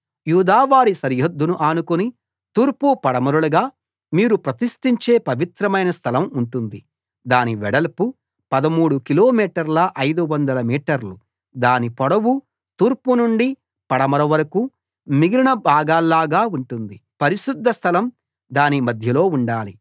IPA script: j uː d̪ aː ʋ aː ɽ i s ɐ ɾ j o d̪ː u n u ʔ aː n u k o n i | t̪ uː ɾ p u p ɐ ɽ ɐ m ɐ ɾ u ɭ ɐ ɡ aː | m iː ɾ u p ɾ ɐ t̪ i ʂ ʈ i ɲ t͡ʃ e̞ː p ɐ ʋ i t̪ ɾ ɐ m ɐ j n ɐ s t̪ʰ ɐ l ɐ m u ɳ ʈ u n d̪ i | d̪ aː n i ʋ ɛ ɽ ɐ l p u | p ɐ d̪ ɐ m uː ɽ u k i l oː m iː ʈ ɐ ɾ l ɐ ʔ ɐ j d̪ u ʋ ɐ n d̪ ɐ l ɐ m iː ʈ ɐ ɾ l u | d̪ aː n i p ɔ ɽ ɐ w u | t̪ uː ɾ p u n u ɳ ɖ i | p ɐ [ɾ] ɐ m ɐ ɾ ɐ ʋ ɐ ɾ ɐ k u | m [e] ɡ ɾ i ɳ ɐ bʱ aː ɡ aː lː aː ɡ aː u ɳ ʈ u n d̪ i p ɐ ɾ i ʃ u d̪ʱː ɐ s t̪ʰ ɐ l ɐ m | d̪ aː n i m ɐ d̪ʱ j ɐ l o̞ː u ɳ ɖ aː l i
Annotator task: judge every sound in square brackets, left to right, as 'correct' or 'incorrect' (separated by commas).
incorrect, incorrect